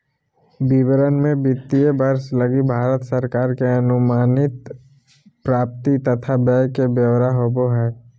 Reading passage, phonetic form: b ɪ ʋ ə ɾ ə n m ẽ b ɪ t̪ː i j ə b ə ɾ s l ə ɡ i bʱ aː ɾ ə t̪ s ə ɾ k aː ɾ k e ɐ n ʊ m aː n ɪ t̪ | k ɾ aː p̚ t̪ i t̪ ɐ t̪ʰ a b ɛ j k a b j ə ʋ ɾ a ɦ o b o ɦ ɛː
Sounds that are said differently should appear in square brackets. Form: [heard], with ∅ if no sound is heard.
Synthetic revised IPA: b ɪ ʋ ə ɾ ə n m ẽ b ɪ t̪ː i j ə b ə ɾ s l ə ɡ i bʱ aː ɾ ə t̪ s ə ɾ k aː ɾ k e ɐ n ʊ m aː n ɪ t̪ | [p] ɾ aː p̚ t̪ i t̪ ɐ t̪ʰ a b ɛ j k [e] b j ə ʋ ɾ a ɦ o b o ɦ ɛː